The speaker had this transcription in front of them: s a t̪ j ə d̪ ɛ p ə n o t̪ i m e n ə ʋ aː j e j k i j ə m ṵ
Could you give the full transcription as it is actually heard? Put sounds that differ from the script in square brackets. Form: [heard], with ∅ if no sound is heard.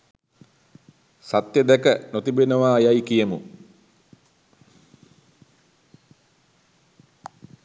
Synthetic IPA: s a t̪ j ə d̪ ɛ [k] ə n o t̪ i [b] e n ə ʋ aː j [a] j k i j ə m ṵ